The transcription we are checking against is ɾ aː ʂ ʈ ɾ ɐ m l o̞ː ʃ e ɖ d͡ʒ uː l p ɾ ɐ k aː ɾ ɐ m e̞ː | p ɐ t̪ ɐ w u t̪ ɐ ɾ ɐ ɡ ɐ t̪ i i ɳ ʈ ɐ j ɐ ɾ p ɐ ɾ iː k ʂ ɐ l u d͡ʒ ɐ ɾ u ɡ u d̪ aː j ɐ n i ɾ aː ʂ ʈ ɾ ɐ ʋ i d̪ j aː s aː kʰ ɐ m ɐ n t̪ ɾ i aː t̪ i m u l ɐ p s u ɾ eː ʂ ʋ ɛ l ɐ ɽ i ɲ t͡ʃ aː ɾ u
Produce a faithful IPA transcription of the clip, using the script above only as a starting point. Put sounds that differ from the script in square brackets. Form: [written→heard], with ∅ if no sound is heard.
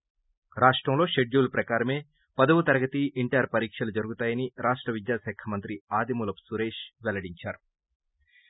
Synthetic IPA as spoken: ɾ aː ʂ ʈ ɾ ɐ m l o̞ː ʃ e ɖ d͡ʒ uː l p ɾ ɐ k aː ɾ ɐ m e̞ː | p ɐ [t̪→d̪] ɐ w u t̪ ɐ ɾ ɐ ɡ ɐ t̪ i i ɳ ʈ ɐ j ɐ ɾ p ɐ ɾ iː k ʂ ɐ l u d͡ʒ ɐ ɾ u ɡ u [d̪→t̪] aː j ɐ n i ɾ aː ʂ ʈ ɾ ɐ ʋ i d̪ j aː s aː kʰ ɐ m ɐ n t̪ ɾ i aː [t̪→d̪] i m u l ɐ p s u ɾ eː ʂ ʋ ɛ l ɐ ɽ i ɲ t͡ʃ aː ɾ u

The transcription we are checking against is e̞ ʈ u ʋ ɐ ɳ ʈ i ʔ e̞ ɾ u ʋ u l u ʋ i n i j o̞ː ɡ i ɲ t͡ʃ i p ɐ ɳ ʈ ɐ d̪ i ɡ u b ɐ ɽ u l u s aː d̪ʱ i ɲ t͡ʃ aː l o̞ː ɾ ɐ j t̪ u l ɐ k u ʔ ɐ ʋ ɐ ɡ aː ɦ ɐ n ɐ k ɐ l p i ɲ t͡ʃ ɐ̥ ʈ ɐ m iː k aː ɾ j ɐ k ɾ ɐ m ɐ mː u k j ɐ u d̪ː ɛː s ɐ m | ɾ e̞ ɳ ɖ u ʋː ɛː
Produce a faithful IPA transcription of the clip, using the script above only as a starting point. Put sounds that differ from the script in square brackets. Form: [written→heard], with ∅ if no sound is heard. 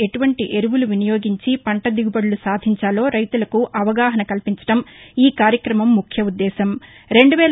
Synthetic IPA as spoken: e̞ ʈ u ʋ ɐ ɳ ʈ i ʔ e̞ ɾ u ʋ u l u ʋ i n i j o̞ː ɡ i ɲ t͡ʃ i p ɐ ɳ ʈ ɐ d̪ i ɡ u b ɐ ɽ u l u s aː d̪ʱ i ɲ t͡ʃ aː l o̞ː ɾ ɐ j t̪ u l ɐ k u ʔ ɐ ʋ ɐ ɡ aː ɦ ɐ n ɐ k ɐ l p i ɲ t͡ʃ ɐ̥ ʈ ɐ m iː k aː ɾ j ɐ k ɾ ɐ m ɐ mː u [k→kʰ] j ɐ u d̪ː ɛː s ɐ m | ɾ e̞ ɳ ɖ u [ʋː→ʋ] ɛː

